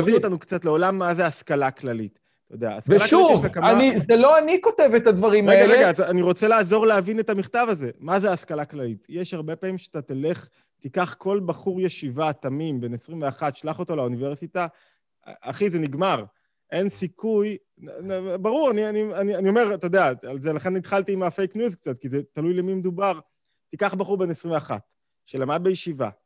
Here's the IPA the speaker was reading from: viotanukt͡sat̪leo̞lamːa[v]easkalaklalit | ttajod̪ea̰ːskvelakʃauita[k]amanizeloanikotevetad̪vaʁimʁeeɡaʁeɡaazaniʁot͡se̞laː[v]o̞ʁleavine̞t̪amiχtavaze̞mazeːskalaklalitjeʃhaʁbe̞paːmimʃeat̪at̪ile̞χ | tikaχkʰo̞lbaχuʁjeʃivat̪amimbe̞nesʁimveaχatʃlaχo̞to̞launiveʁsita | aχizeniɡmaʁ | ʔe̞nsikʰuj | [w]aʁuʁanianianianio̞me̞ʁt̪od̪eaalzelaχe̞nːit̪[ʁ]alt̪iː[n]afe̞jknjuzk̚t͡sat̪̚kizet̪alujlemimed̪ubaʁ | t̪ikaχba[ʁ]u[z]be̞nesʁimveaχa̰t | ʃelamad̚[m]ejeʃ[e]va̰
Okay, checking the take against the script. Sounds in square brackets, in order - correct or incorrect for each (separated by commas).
incorrect, correct, incorrect, incorrect, incorrect, incorrect, incorrect, incorrect, incorrect, incorrect